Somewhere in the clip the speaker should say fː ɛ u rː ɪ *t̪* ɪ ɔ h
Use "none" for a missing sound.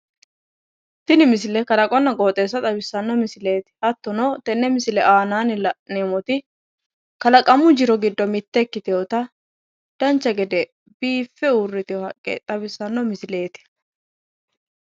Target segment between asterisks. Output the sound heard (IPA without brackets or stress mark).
t̪